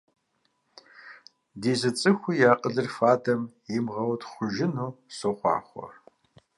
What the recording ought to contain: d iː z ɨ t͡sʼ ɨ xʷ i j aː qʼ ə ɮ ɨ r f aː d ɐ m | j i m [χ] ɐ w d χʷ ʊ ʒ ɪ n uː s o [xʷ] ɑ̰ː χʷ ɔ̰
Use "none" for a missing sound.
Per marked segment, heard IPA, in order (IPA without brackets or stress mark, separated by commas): ʁ, χʷ